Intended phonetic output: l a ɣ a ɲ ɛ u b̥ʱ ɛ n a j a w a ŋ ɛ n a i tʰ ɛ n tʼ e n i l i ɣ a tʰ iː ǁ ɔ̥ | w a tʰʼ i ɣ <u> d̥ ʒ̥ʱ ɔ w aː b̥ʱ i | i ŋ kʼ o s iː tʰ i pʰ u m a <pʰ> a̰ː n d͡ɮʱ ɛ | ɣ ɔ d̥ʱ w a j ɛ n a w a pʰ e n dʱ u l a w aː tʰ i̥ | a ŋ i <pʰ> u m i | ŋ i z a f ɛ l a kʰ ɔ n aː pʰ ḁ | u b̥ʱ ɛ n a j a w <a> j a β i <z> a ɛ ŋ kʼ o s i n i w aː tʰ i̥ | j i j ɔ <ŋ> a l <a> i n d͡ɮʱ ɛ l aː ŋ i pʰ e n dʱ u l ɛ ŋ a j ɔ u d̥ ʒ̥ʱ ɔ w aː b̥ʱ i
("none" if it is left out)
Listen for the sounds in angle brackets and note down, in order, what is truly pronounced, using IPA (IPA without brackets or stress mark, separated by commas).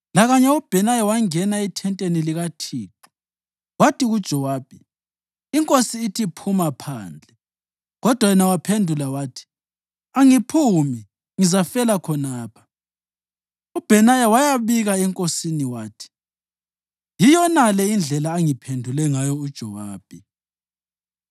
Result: u, pʰ, pʰ, a, ɣ, n, ɛ